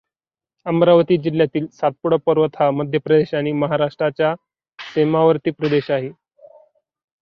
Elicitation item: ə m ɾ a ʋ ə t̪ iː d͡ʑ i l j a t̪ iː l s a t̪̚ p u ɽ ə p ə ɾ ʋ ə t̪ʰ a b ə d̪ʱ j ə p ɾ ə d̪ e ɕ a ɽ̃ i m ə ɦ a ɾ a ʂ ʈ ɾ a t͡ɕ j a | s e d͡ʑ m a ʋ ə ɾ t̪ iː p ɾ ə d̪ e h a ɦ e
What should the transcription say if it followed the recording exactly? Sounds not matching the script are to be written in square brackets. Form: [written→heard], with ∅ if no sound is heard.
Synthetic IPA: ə m ɾ a ʋ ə t̪ iː d͡ʑ i l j a t̪ iː l s a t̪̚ p u ɽ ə p ə ɾ ʋ ə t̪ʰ a [b→m] ə d̪ʱ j ə p ɾ ə d̪ e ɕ a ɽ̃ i m ə ɦ a ɾ a ʂ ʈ ɾ a t͡ɕ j a | s e [d͡ʑ→∅] m a ʋ ə ɾ t̪ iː p ɾ ə d̪ e [h→ɕ] a ɦ e

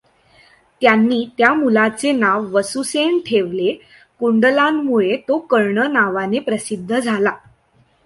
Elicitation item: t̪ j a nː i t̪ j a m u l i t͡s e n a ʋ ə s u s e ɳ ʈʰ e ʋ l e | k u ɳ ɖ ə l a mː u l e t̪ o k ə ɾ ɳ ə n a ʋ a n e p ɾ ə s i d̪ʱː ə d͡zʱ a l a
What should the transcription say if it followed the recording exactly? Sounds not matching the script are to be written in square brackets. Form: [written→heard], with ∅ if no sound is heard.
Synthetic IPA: t̪ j a nː [i→iː] t̪ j a m u l [i→a] t͡s e n a [ʋ→ʋː] ə s u s e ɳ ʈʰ e ʋ l e | k u ɳ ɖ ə l a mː u [l→ɭ] e t̪ o k ə ɾ ɳ ə n a ʋ a n e p ɾ ə s i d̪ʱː ə d͡zʱ a l a

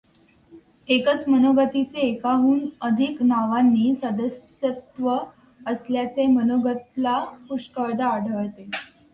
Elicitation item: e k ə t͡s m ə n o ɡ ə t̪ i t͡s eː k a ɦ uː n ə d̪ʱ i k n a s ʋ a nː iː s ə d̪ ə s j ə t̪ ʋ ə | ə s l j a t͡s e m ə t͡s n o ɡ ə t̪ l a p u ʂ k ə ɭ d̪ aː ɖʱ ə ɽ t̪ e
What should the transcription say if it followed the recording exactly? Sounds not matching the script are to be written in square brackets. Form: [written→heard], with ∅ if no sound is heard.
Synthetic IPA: e k ə t͡s m ə n o ɡ ə t̪ i t͡s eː k a ɦ uː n ə d̪ʱ i k n a [s→∅] ʋ a nː iː s ə d̪ ə s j ə t̪ ʋ ə | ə s l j a t͡s e m ə [t͡s→∅] n o ɡ ə t̪ l a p u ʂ k ə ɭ d̪ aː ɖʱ ə [ɽ→ɭ] t̪ e

